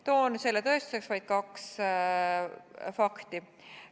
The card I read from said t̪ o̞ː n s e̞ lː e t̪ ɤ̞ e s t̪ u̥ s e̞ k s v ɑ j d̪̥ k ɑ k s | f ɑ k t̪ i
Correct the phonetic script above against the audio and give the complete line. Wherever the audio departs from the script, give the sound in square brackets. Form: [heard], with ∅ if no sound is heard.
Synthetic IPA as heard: t̪ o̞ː n s e̞ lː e t̪ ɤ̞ e s t̪ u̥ s e̞ k s v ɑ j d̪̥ k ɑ k s | f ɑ k t̪ i